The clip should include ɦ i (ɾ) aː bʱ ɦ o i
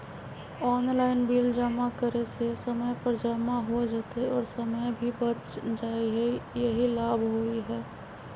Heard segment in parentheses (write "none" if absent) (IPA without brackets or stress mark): l